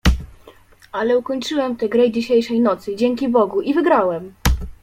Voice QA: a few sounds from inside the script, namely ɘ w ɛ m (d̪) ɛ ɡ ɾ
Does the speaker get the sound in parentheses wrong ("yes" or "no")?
yes